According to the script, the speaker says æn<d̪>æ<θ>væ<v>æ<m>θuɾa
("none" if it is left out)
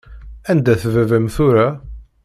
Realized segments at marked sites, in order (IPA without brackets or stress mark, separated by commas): d̪, θ, v, m